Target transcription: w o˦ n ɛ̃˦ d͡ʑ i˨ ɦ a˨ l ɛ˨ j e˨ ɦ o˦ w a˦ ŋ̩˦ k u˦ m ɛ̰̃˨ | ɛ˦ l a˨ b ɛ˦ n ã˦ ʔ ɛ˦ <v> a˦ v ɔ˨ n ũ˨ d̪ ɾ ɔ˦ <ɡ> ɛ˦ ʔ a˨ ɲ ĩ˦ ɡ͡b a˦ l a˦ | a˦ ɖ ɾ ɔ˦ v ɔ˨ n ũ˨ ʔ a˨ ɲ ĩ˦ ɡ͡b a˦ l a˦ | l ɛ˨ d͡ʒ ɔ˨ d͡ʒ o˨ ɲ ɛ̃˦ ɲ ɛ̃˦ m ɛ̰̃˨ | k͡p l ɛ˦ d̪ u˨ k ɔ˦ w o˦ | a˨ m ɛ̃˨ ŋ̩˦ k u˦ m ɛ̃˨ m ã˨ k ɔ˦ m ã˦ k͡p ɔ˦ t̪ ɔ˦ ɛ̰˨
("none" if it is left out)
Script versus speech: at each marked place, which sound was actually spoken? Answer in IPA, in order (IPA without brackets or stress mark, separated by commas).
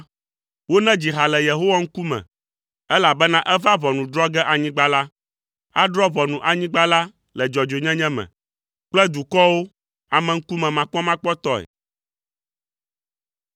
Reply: v, ɡ